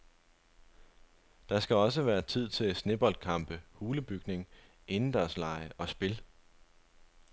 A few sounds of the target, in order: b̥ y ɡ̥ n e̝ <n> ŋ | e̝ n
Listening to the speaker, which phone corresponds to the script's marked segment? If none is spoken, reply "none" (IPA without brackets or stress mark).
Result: none